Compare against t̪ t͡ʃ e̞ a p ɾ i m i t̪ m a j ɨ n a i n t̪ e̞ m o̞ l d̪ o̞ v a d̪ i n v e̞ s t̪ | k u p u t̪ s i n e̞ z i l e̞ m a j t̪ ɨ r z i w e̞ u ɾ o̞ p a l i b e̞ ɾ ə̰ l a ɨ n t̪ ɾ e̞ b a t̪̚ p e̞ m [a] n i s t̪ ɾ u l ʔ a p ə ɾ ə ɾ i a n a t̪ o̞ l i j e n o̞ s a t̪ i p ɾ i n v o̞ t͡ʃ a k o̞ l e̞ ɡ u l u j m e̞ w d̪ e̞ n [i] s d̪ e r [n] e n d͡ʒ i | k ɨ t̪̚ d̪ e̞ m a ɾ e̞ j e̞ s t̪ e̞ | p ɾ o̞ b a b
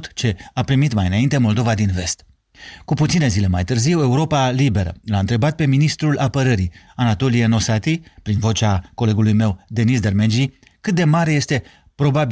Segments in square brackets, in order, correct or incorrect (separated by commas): incorrect, correct, incorrect